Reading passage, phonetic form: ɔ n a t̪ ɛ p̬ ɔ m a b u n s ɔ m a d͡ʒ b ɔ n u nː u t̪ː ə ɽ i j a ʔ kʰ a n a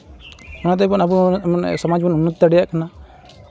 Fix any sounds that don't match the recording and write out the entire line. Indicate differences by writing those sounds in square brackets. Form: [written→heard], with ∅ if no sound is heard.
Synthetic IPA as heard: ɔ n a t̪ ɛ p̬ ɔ [m→n] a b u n s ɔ m a d͡ʒ b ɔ n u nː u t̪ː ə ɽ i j a ʔ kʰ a n a